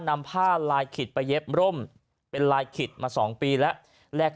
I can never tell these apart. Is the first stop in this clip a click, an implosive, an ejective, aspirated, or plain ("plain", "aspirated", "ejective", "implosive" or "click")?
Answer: aspirated